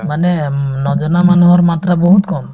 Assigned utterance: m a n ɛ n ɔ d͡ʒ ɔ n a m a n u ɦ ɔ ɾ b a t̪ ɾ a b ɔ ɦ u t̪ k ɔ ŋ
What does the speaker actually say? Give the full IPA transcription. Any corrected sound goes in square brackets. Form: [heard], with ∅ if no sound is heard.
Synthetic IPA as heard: m a n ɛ n ɔ d͡ʒ ɔ n a m a n u ɦ ɔ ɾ [m] a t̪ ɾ a b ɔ ɦ u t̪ k ɔ [m]